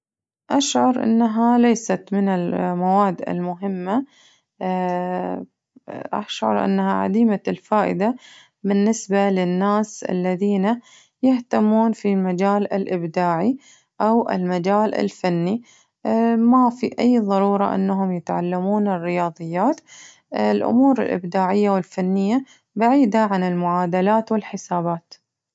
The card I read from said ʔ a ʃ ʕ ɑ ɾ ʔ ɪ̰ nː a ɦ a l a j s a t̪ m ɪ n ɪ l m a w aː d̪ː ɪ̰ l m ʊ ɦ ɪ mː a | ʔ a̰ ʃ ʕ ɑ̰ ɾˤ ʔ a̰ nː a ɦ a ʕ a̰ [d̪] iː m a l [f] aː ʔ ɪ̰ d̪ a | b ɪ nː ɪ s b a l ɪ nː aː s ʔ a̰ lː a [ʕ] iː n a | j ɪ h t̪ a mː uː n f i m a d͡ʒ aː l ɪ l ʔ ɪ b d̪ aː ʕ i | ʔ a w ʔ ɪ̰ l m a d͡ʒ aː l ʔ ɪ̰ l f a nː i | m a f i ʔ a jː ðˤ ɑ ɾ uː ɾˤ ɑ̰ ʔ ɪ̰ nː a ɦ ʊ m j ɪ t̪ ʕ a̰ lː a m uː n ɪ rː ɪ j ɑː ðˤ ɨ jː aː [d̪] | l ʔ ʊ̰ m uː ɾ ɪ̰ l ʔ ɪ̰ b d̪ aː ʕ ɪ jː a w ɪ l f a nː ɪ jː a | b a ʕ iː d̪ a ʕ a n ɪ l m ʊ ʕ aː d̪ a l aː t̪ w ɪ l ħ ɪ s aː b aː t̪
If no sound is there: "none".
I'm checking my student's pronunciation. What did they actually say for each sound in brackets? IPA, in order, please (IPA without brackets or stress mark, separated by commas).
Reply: d̪, f, ð, t̪